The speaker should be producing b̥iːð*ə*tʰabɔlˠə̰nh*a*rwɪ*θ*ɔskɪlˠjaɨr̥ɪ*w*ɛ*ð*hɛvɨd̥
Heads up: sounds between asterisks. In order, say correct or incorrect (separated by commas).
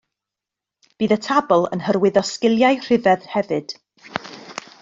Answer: correct, incorrect, incorrect, incorrect, correct